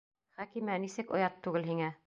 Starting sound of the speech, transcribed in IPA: χ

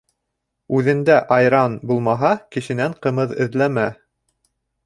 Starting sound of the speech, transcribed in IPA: ʉ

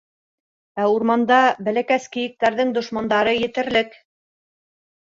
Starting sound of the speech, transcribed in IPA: æ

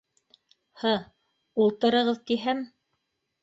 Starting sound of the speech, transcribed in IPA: h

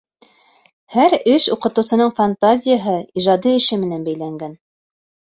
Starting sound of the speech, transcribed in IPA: h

